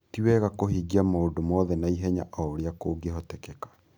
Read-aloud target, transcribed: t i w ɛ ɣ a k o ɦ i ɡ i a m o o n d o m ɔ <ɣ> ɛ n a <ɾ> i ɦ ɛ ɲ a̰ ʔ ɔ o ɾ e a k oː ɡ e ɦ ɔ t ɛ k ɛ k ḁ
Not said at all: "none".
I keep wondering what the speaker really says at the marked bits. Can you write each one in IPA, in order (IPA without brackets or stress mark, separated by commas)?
ð, none